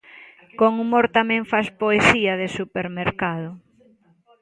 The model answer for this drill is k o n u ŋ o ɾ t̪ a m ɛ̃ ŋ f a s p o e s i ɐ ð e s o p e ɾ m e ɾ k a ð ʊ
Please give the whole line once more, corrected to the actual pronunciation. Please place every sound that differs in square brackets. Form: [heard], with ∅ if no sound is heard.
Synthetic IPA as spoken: k o [ŋ] u [m] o ɾ t̪ a m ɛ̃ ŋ f a s p o e s i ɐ ð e s [u] p e ɾ m e ɾ k a ð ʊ